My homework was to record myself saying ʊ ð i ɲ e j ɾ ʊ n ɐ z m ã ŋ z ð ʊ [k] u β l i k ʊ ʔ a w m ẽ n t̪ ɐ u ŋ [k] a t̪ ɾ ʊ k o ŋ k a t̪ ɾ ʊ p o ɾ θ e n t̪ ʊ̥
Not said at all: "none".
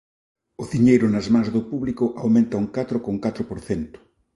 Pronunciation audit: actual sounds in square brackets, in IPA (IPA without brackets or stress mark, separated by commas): p, k